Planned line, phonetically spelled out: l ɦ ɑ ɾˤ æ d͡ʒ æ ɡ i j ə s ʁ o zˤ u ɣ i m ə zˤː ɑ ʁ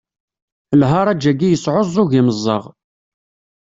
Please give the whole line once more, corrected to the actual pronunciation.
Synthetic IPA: l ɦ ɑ ɾˤ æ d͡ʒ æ ɡ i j ə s ʕ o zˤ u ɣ i m ə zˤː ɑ ʁ